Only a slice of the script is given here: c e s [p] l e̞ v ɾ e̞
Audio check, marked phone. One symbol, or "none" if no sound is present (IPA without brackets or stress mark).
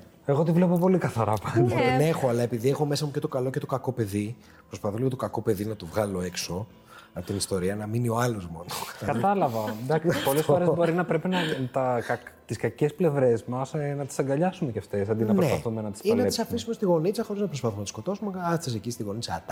p